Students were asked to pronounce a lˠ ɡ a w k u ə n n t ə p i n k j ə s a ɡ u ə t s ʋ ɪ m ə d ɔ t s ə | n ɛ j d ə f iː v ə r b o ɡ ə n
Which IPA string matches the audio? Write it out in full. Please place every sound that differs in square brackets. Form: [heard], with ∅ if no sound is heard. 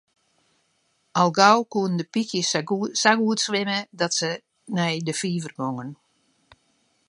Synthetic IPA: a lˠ ɡ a w k u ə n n [d] ə p i [∅] k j ə s a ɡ u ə t s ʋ ɪ m ə d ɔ t s ə | n ɛ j d ə f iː v ə r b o [ŋ] ə n